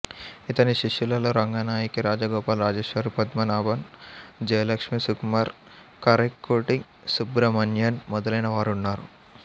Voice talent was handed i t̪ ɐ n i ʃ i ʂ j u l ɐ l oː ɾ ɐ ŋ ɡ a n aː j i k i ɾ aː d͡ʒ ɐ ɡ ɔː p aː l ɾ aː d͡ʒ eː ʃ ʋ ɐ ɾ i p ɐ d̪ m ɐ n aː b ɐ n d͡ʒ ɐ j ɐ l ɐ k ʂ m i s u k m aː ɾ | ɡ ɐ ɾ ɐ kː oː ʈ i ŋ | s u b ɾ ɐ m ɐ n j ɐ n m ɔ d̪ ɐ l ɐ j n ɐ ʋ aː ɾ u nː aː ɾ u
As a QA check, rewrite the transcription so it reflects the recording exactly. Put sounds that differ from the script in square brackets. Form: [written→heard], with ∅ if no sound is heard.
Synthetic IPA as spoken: i t̪ ɐ n i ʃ i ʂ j u l ɐ l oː ɾ ɐ ŋ ɡ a n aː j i k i ɾ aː d͡ʒ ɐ ɡ ɔː p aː l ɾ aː d͡ʒ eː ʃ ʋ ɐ ɾ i p ɐ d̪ m ɐ n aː b ɐ n d͡ʒ ɐ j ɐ l ɐ k ʂ m i s u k m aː ɾ | [ɡ→k] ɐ ɾ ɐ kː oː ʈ i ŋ | s u b ɾ ɐ m ɐ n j ɐ n m ɔ d̪ ɐ l ɐ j n ɐ ʋ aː ɾ u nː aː ɾ u